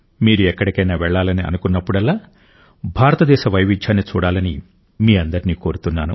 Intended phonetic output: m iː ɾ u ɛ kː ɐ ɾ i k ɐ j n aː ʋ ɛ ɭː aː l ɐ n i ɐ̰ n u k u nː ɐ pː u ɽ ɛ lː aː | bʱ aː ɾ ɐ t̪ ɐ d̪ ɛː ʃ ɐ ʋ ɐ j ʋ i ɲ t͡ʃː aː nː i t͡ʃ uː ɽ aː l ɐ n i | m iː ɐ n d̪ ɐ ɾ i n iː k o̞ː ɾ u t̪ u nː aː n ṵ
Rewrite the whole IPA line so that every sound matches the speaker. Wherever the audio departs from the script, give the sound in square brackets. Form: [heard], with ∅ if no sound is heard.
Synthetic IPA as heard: m iː ɾ u ɛ kː ɐ [ɽ] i k ɐ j n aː ʋ ɛ ɭː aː l ɐ n i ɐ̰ n u k u nː ɐ pː u ɽ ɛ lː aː | bʱ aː ɾ ɐ t̪ ɐ d̪ ɛː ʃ ɐ ʋ ɐ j ʋ i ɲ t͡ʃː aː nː i t͡ʃ uː ɽ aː l ɐ n i | m iː ɐ n d̪ ɐ ɾ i n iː k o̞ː ɾ u t̪ u nː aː n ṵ